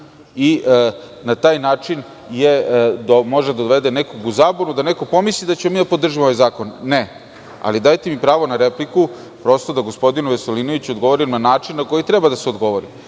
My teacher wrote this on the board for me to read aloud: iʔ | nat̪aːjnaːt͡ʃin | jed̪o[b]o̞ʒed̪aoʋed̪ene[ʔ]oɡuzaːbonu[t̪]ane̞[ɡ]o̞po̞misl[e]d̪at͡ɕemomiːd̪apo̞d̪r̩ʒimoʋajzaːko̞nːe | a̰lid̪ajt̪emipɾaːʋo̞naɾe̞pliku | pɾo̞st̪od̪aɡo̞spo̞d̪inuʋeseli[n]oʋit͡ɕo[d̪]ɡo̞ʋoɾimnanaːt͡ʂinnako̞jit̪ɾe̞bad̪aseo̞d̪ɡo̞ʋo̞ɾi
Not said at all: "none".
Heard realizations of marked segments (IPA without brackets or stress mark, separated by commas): m, k, d̪, k, i, n, d̪